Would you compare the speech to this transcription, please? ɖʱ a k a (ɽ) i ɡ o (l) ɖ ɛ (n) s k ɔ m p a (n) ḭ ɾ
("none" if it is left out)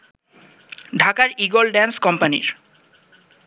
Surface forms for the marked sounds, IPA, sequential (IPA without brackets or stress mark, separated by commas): ɾ, l, n, n